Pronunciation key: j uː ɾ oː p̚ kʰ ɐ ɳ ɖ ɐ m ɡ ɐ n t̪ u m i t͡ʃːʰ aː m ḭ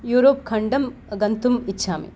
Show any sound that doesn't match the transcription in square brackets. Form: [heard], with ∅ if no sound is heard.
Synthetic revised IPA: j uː ɾ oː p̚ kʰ ɐ ɳ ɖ ɐ m ɡ ɐ n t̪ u m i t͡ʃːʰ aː m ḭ